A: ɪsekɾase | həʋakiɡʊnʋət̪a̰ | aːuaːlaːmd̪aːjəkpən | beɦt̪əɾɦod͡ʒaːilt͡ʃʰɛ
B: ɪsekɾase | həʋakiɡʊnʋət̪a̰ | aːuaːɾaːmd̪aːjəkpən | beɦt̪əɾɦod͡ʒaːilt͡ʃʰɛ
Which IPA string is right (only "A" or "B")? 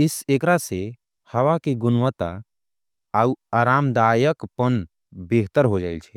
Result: B